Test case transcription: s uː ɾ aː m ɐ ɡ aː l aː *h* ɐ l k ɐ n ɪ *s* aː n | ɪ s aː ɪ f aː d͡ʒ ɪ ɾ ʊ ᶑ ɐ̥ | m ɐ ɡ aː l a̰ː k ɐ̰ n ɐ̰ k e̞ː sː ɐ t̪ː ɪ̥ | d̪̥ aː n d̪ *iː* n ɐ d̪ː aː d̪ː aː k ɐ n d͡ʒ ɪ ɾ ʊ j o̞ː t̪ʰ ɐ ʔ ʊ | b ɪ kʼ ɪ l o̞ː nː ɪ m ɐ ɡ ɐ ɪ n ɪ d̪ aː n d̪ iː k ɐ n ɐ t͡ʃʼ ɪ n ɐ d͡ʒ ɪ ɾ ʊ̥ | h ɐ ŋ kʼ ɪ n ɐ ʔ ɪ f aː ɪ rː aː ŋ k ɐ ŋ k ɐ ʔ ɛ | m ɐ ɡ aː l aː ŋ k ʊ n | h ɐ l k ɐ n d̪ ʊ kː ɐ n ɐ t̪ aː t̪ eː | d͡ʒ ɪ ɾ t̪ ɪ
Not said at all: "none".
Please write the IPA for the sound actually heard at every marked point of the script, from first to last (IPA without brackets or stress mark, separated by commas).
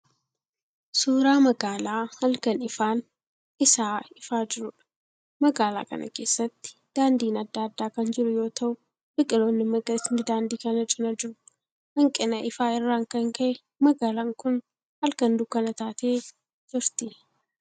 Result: h, f, iː